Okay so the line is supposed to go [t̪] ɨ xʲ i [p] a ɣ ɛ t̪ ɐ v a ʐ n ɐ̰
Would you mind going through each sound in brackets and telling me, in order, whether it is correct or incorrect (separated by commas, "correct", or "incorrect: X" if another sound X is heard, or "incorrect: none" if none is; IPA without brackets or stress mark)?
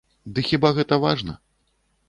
incorrect: d̪, incorrect: b